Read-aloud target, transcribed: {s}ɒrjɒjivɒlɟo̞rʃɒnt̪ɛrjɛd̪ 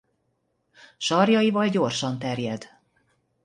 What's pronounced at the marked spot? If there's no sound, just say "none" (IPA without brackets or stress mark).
ʃ